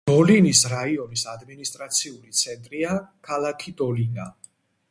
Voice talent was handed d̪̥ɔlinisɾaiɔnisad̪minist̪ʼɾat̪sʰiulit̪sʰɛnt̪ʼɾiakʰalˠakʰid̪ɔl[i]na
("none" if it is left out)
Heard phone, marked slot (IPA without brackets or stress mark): i